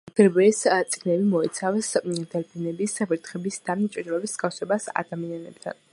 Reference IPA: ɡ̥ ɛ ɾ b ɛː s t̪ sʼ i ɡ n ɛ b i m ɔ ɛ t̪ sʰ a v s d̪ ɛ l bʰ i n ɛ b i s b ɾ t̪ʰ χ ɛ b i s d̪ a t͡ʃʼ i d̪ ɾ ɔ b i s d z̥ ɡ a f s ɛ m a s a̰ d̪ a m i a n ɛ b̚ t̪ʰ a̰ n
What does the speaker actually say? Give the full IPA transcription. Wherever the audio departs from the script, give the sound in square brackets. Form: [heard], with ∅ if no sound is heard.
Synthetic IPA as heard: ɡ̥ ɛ ɾ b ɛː s t̪ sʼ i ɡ n ɛ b i m ɔ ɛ t̪ sʰ a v s d̪ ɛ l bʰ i n ɛ b i s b ɾ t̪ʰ χ ɛ b i s d̪ a t͡ʃʼ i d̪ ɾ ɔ b i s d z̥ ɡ a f s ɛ [b] a s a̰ d̪ a m i a n ɛ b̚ t̪ʰ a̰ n